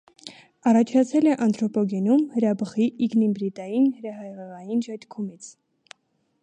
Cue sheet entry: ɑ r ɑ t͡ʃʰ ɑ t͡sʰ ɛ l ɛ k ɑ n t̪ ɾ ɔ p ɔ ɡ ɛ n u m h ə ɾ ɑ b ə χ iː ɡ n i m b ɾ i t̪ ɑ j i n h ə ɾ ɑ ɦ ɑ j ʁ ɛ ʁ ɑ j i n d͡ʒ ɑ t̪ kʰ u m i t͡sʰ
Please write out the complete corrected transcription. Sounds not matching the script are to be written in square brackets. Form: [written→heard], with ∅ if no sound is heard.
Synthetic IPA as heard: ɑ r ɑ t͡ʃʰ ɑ t͡sʰ ɛ l ɛ [k→ʔ] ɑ n t̪ ɾ ɔ p ɔ ɡ ɛ n u m h ə ɾ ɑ b ə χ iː ɡ n i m b ɾ i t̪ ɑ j i n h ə ɾ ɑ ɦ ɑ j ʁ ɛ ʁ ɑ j i n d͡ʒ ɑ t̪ kʰ u m i t͡sʰ